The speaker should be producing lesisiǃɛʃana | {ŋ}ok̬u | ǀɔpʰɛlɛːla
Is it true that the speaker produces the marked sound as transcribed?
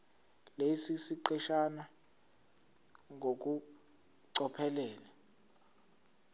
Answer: yes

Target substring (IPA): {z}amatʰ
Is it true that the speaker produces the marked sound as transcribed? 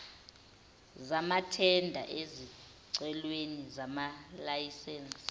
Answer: yes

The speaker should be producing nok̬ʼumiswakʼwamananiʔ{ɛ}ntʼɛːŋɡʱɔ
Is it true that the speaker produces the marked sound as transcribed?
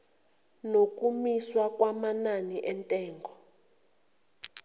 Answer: yes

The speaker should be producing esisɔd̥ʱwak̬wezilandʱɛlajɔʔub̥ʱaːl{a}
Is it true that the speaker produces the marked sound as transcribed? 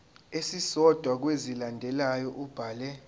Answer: no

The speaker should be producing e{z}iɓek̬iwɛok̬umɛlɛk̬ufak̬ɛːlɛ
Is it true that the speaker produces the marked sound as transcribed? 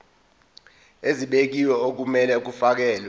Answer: yes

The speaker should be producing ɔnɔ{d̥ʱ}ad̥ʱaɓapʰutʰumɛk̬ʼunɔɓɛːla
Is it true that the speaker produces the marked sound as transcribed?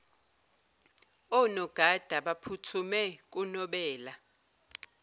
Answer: no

